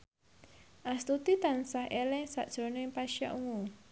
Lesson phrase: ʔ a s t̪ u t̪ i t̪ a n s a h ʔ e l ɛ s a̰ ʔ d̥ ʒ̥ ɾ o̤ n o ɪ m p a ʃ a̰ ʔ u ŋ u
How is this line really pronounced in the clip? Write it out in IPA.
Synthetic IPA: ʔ a s t̪ u t̪ i t̪ a n s a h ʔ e l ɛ s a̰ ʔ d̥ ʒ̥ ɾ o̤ n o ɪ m p a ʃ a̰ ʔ u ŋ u